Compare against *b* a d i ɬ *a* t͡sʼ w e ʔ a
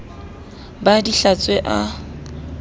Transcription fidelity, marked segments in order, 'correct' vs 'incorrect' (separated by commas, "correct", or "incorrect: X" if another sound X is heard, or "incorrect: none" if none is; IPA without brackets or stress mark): correct, correct